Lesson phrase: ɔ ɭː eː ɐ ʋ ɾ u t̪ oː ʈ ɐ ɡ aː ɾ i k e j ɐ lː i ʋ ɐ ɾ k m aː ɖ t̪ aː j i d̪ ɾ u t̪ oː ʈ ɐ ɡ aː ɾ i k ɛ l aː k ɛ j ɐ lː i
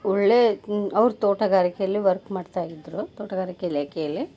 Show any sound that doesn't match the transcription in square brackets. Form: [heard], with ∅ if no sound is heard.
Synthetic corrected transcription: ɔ ɭː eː ɐ ʋ ɾ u t̪ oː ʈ ɐ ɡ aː ɾ i k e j ɐ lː i ʋ ɐ ɾ k m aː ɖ t̪ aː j i d̪ ɾ u t̪ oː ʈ ɐ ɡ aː ɾ i k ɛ l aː k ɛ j ɐ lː i